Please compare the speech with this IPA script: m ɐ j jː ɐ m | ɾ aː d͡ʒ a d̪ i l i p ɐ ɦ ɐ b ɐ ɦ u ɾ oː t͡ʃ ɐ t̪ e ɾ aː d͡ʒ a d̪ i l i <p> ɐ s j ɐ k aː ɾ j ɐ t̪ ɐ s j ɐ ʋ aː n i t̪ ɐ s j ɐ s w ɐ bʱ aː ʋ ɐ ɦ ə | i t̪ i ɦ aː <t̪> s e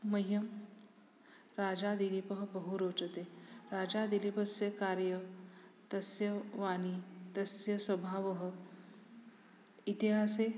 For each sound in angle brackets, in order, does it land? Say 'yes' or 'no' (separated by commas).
yes, no